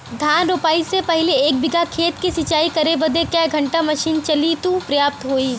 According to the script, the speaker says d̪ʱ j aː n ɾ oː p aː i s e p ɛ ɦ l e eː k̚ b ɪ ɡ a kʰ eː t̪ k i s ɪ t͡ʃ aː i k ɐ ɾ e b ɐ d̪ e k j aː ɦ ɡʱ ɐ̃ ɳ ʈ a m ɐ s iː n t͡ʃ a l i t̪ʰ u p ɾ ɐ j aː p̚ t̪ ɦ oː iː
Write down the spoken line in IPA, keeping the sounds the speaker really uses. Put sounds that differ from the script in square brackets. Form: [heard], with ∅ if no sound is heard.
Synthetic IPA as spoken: d̪ʱ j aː n ɾ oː p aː i s e p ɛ ɦ l e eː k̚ b ɪ ɡ a kʰ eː t̪ k i s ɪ t͡ʃ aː i k ɐ ɾ e b ɐ d̪ e k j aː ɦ ɡʱ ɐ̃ ɳ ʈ a m ɐ [ʃ] iː n t͡ʃ [ɐ] l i [t̪] u p ɾ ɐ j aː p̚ t̪ ɦ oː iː